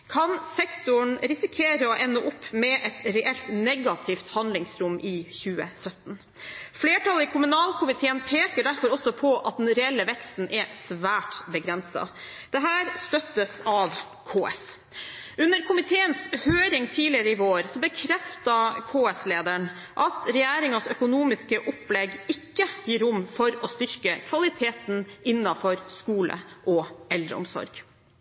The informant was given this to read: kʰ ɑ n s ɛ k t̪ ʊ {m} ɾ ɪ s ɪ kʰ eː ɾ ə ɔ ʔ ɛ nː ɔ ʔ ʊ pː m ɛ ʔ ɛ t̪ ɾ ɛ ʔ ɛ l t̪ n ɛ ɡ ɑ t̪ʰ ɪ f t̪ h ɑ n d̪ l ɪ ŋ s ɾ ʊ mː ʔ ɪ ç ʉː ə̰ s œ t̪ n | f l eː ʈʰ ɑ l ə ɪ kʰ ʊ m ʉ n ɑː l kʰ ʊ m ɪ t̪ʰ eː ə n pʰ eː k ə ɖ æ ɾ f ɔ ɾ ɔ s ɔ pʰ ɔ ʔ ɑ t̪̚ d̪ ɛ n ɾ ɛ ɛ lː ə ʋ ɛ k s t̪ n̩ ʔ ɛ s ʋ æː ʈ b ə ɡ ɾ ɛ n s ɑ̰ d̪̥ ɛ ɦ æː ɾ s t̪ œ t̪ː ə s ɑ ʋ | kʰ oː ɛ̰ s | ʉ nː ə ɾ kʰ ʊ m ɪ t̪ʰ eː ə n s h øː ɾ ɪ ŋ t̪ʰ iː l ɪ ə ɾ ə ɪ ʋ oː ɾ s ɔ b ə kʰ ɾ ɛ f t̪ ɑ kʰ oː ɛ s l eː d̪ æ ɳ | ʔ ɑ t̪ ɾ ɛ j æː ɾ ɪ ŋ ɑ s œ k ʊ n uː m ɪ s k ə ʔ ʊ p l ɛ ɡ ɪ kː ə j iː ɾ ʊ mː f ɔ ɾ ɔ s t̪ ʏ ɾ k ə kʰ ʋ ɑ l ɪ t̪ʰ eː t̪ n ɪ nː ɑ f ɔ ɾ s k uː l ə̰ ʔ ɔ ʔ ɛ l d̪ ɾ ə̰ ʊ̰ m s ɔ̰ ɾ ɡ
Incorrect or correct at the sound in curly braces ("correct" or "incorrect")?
incorrect